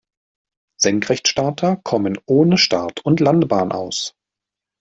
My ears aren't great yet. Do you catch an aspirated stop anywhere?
yes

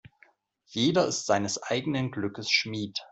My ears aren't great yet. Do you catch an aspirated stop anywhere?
no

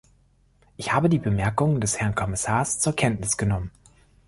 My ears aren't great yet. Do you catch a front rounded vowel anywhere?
no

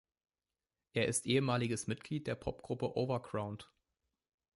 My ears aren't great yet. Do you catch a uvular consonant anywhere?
yes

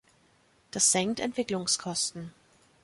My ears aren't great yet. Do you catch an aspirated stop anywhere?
yes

